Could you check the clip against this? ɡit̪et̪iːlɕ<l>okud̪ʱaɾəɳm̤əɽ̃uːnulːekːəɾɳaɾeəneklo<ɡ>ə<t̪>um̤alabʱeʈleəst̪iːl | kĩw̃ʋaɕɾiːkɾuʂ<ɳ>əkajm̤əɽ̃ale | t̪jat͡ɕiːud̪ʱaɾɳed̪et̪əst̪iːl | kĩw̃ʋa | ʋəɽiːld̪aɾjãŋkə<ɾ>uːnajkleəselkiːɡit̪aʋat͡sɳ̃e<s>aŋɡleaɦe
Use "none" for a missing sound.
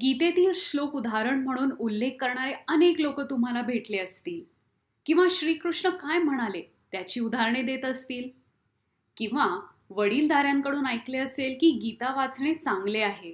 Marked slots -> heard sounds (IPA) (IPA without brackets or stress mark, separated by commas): l, k, t̪, ɳ, ɽ, t͡s